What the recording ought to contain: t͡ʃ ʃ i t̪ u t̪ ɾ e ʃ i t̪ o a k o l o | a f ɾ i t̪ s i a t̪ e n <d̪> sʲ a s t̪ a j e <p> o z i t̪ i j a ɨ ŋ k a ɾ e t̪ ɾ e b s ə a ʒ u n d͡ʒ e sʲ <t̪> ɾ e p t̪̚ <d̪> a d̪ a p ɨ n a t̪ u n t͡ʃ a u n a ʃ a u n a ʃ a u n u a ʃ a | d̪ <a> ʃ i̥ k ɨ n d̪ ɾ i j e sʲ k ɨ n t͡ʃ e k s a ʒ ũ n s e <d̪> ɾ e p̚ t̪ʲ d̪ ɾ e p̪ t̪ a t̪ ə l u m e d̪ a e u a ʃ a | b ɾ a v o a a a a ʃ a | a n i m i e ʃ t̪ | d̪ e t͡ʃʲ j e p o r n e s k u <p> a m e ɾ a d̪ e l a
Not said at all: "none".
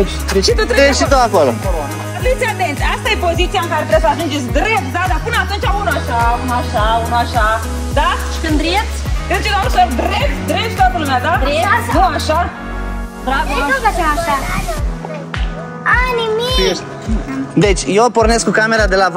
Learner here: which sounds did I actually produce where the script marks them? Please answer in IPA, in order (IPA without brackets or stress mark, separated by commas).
t̪, p, d̪, d̪, a, d̪, k